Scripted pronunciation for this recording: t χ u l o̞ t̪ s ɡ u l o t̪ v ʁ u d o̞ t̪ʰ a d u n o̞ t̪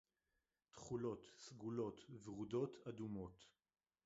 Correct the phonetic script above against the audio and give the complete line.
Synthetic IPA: t χ u l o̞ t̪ s ɡ u l o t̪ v ʁ u d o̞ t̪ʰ a d u m o̞ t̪

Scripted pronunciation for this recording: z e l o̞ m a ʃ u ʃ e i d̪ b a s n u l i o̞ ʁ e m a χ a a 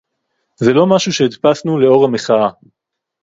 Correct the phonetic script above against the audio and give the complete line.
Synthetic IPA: z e l o̞ m a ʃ u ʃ e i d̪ p a s n u l e o̞ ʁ a m e χ a a

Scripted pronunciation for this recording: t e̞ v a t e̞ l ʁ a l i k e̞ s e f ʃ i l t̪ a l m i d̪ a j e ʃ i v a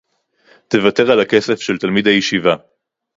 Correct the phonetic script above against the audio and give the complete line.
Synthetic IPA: t e̞ v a t e̞ ʁ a l a k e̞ s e f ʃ e l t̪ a l m i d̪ a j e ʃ i v a

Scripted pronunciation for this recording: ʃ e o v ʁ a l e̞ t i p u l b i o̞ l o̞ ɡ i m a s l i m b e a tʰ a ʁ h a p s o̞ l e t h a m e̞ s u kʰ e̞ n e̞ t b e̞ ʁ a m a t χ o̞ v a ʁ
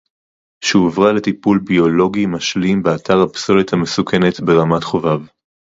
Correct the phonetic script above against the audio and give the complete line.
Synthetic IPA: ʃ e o v ʁ a l e̞ t i p u l b i o̞ l o̞ ɡ i m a ʃ l i m b e a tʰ a ʁ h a p s o̞ l e t h a m e̞ s u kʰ e̞ n e̞ t b e̞ ʁ a m a t χ o̞ v a v

